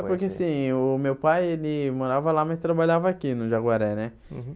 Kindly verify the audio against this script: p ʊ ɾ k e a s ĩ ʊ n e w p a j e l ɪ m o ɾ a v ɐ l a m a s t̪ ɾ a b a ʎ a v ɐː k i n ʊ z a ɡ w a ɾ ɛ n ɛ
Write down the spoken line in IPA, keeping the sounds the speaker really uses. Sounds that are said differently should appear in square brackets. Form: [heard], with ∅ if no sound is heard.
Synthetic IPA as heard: p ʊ ɾ k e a s ĩ ʊ [m] e w p a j e l ɪ m o ɾ a v ɐ l a m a s t̪ ɾ a b a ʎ a v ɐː k i n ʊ [ʒ] a ɡ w a ɾ ɛ n ɛ